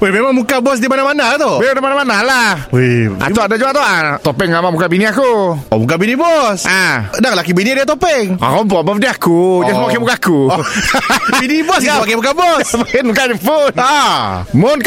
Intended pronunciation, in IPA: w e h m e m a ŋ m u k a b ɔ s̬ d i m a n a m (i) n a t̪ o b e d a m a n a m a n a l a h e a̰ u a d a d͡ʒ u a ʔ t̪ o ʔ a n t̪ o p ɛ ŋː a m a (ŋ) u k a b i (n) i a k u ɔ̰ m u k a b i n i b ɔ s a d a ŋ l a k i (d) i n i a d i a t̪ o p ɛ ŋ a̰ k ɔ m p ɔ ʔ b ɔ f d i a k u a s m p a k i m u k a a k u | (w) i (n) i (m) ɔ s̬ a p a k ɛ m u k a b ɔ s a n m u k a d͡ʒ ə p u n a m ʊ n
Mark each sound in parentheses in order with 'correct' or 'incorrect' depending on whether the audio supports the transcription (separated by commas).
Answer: incorrect, incorrect, correct, incorrect, incorrect, correct, incorrect